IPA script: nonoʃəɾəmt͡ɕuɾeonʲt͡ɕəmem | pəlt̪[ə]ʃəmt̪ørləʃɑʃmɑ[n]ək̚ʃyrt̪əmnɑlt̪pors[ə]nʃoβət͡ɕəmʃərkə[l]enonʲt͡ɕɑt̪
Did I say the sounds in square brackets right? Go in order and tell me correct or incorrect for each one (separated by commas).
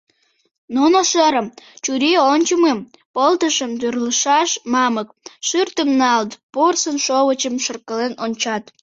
correct, incorrect, correct, correct